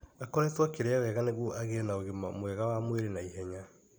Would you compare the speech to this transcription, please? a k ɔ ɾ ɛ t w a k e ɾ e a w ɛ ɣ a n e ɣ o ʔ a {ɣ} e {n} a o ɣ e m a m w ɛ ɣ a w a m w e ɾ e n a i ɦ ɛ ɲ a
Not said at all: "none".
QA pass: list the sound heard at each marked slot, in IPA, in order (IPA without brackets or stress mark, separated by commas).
ɣ, n